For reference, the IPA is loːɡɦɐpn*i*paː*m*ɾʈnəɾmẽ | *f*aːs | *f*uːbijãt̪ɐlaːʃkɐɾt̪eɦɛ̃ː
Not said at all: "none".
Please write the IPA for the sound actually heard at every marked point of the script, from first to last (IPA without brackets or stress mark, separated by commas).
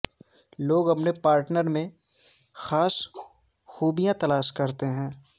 e, none, x, x